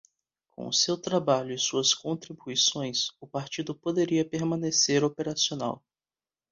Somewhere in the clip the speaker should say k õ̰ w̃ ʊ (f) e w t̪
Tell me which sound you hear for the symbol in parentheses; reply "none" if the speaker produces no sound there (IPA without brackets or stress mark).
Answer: s